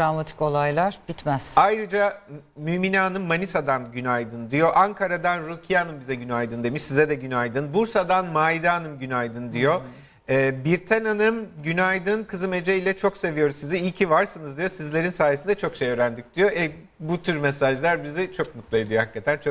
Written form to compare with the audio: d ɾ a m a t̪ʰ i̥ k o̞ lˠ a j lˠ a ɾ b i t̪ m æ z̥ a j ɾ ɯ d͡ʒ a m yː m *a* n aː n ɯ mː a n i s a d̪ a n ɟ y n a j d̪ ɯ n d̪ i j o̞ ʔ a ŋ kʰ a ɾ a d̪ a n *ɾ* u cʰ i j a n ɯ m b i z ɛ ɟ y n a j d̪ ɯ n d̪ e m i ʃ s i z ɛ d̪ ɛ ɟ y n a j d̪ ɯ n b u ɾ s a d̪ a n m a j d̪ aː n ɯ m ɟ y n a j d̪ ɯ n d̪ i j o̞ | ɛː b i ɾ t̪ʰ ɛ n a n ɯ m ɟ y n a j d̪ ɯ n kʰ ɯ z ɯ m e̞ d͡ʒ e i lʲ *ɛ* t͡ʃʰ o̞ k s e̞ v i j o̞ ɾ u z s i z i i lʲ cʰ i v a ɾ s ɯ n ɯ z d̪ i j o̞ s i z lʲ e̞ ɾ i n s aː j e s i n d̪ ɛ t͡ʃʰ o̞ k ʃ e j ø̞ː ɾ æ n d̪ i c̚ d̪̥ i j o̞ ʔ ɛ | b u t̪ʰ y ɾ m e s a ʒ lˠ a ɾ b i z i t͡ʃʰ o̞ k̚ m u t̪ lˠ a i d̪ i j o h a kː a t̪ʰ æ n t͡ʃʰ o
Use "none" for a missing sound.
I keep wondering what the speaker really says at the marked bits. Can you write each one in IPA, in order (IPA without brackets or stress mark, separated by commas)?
i, ɾ, ɛ